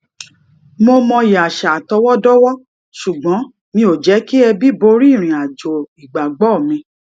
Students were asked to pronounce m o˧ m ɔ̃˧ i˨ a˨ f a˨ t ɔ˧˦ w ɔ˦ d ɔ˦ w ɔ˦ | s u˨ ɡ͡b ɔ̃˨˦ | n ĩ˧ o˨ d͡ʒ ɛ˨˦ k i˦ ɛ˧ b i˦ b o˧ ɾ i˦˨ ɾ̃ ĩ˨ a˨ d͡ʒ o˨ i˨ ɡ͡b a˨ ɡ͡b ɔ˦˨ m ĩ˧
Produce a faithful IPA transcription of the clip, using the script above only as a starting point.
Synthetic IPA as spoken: m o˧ m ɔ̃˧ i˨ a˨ ʃ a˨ t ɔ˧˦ w ɔ˦ d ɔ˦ w ɔ˦ | ʃ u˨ ɡ͡b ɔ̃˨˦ | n ĩ˧ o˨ d͡ʒ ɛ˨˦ k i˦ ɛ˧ b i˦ b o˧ ɾ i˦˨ ɾ̃ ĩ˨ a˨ d͡ʒ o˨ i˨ ɡ͡b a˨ ɡ͡b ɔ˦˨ m ĩ˧

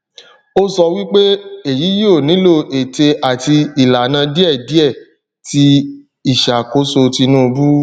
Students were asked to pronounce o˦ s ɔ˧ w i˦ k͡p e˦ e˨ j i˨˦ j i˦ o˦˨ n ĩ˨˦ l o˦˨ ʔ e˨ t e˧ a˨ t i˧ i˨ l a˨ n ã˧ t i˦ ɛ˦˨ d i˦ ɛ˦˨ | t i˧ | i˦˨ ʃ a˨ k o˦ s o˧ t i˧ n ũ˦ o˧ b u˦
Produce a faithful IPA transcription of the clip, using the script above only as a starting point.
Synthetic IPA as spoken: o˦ s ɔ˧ w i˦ k͡p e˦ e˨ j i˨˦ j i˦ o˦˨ n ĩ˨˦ l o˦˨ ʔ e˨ t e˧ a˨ t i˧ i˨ l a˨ n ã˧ d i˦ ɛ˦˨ d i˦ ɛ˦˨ | t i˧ | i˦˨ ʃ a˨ k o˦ s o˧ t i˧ n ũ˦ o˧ b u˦

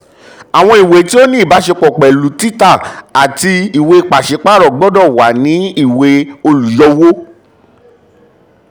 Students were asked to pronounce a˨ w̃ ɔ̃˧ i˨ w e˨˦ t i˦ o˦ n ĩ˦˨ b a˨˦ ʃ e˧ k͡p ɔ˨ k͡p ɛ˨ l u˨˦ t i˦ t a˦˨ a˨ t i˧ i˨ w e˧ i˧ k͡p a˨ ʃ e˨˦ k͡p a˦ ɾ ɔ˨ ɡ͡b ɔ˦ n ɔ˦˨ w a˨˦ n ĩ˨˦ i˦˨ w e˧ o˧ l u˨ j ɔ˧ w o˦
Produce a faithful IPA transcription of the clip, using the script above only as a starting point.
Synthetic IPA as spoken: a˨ w̃ ɔ̃˧ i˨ w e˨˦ t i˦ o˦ n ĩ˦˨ b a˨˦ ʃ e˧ k͡p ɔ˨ k͡p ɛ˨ l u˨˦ t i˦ t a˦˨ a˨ t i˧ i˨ w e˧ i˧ k͡p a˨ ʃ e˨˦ k͡p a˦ ɾ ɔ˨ ɡ͡b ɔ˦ d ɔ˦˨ w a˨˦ n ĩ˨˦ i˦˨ w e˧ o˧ l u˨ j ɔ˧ w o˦

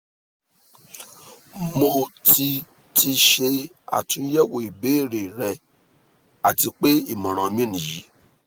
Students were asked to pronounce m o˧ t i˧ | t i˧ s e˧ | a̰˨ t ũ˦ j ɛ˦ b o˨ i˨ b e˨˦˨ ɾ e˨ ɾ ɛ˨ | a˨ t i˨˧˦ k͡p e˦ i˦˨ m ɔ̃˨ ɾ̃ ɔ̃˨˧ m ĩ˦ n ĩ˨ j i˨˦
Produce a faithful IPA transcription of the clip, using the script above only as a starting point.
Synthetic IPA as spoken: m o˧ t i˧ | t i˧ ʃ e˧ | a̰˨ t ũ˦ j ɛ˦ w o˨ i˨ b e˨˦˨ ɾ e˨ ɾ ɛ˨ | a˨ t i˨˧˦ k͡p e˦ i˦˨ m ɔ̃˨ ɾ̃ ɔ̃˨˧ m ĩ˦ n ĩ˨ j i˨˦

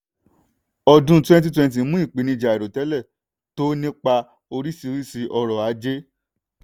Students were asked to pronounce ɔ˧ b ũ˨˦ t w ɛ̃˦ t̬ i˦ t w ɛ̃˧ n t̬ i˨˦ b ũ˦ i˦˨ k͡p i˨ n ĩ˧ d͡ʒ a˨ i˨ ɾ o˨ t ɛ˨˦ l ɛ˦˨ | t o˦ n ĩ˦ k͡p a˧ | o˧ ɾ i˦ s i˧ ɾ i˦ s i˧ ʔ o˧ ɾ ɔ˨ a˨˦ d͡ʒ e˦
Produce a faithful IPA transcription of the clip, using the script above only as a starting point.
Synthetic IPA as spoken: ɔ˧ d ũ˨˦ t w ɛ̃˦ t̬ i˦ t w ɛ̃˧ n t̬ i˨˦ m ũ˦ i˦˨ k͡p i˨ n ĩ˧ d͡ʒ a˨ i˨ ɾ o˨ t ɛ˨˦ l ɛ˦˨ | t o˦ n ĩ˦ k͡p a˧ | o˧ ɾ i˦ s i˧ ɾ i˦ s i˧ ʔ ɔ˧ ɾ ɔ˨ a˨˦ d͡ʒ e˦

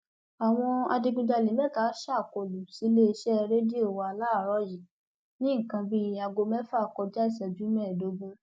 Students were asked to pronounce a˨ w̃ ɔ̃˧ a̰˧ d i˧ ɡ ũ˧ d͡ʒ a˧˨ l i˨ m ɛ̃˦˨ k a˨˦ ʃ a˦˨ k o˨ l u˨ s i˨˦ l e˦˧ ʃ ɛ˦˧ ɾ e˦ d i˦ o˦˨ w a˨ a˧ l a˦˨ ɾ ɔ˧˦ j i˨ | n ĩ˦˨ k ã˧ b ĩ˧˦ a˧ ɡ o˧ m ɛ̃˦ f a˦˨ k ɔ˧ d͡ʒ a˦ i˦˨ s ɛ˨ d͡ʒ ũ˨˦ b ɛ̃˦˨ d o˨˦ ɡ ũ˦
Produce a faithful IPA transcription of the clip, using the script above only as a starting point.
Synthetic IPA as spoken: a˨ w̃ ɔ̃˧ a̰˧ d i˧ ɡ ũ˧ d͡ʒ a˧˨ l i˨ m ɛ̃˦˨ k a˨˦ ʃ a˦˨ k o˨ l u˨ s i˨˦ l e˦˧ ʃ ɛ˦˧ ɾ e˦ d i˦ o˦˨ w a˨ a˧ l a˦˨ ɾ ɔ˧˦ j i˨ | n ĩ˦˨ k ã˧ b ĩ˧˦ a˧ ɡ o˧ m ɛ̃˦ f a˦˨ k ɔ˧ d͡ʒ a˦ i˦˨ s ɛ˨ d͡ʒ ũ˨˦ m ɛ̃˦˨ d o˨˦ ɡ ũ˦

